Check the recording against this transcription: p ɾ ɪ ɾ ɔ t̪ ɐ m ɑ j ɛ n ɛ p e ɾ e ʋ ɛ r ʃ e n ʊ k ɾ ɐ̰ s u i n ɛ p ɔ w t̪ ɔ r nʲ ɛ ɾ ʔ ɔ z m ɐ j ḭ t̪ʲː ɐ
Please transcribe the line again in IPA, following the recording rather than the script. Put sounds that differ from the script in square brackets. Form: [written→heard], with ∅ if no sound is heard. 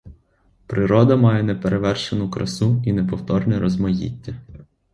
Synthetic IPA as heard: p ɾ ɪ ɾ ɔ [t̪→d̪] ɐ m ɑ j ɛ n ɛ p e ɾ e ʋ ɛ r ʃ e n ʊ k ɾ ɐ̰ s u i n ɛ p ɔ w t̪ ɔ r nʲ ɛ ɾ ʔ ɔ z m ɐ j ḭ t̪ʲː ɐ